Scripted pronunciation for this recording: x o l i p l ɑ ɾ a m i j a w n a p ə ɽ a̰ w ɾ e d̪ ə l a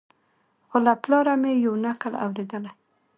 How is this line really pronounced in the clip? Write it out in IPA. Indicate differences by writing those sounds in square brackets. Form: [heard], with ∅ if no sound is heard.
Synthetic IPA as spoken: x o l [a] p l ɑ ɾ a m [e] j a w n a [k] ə [l] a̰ w ɾ e d̪ ə l a